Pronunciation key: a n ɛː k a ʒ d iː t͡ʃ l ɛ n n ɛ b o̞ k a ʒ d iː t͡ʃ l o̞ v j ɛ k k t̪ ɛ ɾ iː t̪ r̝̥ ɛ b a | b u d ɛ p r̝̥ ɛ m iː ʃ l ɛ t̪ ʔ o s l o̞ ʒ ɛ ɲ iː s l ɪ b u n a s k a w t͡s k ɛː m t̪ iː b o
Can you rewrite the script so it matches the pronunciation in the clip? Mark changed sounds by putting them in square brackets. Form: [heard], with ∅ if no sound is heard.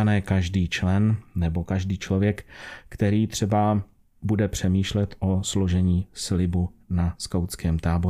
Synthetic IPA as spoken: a n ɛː k a ʒ d iː t͡ʃ l ɛ n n ɛ b o̞ k a ʒ d iː t͡ʃ l o̞ v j ɛ k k t̪ ɛ ɾ iː t̪ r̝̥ ɛ b a | b u d ɛ p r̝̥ ɛ m iː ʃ l ɛ t̪ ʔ o s l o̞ ʒ ɛ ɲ iː s l ɪ b u n a s k a w t͡s k ɛː m t̪ [aː] b o